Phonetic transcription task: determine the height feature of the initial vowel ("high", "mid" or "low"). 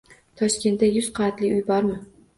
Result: low